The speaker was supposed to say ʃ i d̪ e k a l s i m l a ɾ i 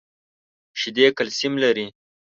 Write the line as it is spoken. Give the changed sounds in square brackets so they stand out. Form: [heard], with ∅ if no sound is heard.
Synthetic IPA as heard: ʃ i d̪ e k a l s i m l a ɾ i